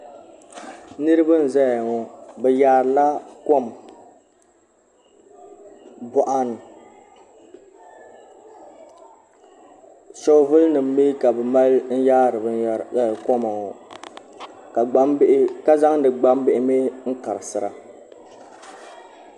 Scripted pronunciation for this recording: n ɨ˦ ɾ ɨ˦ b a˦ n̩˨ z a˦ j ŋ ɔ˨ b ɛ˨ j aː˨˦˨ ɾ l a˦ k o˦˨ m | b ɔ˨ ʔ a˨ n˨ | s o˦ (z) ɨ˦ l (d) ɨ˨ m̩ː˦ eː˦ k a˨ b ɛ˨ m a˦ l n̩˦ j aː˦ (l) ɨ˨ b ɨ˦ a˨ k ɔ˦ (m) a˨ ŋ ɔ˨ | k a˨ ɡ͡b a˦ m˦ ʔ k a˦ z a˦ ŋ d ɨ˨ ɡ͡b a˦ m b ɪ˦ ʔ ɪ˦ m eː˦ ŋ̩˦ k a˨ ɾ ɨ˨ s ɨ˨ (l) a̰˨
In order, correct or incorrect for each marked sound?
incorrect: v, incorrect: n, incorrect: ɾ, correct, incorrect: ɾ

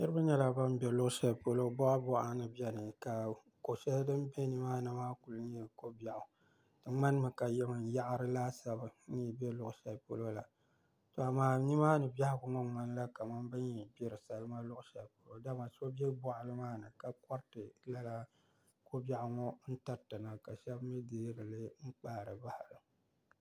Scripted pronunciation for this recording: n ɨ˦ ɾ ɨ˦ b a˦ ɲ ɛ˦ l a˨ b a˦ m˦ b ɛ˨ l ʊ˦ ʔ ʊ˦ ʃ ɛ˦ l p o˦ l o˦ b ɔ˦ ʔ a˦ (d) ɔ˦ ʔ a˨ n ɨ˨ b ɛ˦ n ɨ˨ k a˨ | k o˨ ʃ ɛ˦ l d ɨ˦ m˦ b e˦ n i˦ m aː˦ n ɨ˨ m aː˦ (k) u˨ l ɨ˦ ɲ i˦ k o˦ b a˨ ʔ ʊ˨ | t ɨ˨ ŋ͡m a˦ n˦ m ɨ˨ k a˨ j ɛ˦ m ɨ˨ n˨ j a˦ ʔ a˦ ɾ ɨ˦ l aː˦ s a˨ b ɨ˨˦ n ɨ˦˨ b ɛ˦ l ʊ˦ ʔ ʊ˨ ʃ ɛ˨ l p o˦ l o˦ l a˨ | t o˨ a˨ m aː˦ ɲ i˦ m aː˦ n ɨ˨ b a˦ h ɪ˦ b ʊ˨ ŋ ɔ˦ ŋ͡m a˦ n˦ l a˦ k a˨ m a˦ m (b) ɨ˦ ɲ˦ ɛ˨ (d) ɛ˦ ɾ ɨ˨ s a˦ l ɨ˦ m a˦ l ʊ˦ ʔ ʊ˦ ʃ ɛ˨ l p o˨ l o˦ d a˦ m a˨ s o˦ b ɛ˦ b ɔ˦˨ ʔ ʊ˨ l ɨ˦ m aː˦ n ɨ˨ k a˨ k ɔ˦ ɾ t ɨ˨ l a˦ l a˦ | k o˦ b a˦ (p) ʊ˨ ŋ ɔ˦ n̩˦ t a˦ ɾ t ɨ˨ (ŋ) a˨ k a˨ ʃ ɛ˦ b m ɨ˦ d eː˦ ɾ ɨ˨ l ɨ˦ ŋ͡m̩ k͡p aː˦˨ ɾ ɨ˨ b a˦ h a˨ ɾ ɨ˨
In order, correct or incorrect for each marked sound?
incorrect: b, correct, correct, incorrect: b, incorrect: ʔ, incorrect: n

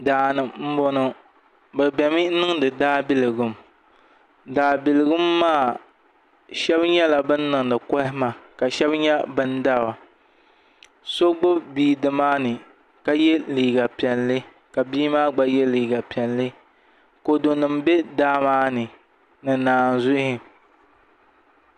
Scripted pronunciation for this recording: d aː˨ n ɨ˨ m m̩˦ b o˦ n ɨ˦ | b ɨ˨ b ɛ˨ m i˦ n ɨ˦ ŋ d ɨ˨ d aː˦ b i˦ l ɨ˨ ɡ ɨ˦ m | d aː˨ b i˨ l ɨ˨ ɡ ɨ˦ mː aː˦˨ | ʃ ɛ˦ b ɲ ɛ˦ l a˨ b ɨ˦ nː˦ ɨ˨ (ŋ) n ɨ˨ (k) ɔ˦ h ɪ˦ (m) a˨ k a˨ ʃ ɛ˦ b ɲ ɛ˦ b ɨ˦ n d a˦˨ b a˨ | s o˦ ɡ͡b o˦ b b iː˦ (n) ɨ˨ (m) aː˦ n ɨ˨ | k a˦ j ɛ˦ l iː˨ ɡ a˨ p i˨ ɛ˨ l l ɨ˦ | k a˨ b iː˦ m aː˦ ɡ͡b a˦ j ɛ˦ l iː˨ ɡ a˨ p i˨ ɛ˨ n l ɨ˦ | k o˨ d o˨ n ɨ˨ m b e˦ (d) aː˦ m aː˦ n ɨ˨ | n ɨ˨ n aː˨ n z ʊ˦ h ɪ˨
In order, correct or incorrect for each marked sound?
correct, correct, correct, incorrect: d, correct, correct

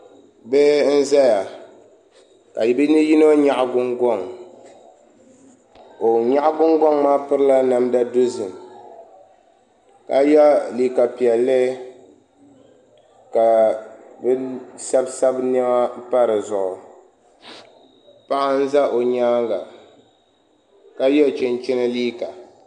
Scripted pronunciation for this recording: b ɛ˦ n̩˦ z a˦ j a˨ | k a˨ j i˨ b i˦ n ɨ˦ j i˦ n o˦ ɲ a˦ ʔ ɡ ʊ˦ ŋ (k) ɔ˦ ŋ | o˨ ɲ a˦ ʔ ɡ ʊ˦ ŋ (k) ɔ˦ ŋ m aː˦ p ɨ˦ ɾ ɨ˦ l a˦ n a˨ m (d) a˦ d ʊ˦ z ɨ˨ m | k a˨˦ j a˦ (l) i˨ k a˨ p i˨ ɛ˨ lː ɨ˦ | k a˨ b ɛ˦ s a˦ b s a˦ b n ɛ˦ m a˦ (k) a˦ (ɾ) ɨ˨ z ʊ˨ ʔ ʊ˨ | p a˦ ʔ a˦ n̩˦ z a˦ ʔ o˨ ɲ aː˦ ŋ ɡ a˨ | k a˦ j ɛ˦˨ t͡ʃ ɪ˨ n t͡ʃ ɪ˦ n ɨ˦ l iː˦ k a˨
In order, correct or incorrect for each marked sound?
incorrect: ɡ, incorrect: ɡ, correct, correct, incorrect: p, correct

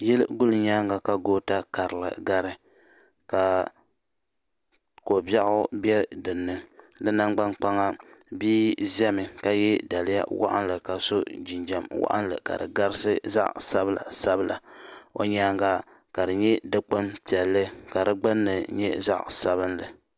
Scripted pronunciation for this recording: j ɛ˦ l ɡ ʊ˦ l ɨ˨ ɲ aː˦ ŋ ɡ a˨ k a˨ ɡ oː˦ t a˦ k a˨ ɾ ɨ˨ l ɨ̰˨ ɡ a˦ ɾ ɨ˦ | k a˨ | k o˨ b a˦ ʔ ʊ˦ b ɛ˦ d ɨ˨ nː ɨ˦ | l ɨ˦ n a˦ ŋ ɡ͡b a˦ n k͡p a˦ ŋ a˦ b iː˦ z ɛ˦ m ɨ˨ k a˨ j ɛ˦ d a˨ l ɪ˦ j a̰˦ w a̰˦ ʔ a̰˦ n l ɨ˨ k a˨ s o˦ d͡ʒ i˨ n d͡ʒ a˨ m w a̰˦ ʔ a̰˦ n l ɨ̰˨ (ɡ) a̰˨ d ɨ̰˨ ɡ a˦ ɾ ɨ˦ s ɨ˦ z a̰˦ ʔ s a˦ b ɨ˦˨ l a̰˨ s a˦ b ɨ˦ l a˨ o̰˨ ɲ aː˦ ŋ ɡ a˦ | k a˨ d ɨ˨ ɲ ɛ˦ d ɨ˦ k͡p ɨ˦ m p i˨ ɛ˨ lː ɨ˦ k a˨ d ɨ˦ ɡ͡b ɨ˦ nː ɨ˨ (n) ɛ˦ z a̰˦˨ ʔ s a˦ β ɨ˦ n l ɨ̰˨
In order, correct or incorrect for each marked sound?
incorrect: k, incorrect: ɲ

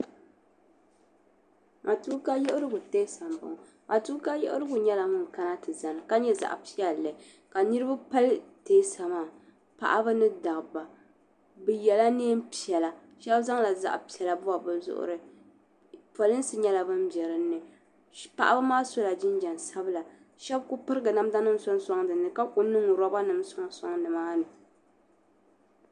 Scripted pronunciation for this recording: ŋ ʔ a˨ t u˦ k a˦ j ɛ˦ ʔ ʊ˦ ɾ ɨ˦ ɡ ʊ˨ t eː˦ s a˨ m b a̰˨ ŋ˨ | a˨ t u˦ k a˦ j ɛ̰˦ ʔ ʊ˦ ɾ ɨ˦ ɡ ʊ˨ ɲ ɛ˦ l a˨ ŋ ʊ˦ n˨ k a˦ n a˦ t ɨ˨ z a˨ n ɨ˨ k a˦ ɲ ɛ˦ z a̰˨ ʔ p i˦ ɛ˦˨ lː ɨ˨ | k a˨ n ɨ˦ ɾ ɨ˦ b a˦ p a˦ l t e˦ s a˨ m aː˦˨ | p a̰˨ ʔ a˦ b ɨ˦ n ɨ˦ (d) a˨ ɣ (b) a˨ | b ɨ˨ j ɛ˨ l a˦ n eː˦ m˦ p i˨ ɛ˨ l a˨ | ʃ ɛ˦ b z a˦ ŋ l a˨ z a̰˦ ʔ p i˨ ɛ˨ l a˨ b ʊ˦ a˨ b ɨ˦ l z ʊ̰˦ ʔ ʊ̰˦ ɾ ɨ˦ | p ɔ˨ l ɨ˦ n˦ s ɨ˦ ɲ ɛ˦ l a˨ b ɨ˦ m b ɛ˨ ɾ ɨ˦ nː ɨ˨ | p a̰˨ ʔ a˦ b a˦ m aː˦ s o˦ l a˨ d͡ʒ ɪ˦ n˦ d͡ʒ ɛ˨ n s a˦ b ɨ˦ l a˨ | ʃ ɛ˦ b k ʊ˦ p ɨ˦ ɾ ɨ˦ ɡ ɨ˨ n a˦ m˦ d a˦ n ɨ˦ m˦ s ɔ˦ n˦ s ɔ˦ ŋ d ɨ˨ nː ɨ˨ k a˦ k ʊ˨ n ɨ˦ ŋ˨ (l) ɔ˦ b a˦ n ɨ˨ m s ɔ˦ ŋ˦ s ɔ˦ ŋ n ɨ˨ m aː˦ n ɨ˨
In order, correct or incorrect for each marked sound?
correct, correct, incorrect: ɾ

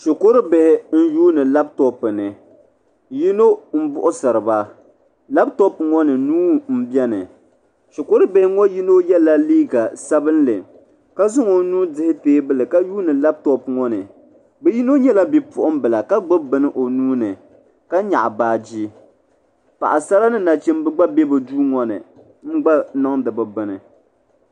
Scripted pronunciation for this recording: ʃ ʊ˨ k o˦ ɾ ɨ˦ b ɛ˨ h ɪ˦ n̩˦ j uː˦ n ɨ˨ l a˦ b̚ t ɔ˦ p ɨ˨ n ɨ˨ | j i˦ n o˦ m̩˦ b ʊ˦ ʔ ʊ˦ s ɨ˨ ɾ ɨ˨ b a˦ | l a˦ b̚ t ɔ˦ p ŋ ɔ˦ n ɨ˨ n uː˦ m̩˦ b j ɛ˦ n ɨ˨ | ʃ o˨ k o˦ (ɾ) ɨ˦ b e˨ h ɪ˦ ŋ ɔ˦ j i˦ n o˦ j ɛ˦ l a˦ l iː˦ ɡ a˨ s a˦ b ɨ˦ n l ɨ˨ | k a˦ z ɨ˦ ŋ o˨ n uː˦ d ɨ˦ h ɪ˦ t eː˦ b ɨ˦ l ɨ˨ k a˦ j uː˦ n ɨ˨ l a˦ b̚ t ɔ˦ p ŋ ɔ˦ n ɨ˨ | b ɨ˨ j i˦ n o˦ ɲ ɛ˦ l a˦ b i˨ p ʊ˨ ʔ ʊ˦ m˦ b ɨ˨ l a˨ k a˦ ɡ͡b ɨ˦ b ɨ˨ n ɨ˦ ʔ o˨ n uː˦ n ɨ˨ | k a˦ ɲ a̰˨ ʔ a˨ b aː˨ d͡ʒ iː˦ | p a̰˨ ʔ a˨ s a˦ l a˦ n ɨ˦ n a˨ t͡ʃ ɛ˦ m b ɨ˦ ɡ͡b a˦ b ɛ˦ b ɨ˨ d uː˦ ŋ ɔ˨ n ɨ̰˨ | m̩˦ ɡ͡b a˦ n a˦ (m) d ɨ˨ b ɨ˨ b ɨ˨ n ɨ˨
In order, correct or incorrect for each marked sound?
correct, incorrect: ŋ

